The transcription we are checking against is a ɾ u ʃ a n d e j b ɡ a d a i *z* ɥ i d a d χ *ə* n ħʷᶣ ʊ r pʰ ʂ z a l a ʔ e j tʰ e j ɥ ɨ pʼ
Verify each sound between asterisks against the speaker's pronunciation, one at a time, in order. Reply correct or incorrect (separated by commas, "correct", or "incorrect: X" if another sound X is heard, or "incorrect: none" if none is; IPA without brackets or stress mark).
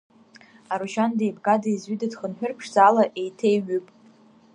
correct, correct